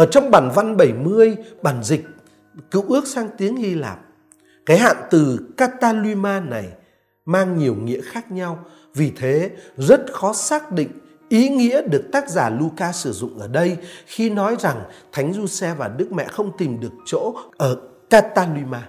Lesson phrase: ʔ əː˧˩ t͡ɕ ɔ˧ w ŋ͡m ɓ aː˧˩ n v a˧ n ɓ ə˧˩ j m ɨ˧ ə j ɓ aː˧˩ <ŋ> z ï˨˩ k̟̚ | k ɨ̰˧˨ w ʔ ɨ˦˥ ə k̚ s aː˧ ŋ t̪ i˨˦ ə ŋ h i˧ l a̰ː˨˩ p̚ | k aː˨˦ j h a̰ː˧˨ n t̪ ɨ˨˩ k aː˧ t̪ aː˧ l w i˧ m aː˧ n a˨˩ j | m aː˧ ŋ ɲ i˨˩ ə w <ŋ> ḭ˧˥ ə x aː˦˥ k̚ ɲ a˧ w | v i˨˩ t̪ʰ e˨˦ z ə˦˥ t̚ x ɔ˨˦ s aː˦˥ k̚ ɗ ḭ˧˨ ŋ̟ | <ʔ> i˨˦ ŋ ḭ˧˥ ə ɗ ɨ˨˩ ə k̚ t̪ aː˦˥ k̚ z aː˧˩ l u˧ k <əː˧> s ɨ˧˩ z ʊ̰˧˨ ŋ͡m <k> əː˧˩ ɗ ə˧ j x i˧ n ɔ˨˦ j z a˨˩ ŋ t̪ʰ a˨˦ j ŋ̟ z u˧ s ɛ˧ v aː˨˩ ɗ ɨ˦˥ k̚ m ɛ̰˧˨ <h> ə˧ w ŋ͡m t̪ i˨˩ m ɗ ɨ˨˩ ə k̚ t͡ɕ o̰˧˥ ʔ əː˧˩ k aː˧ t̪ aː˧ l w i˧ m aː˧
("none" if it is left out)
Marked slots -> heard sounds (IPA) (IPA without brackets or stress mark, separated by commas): n, ŋ, ʔ, aː˧, ʔ, x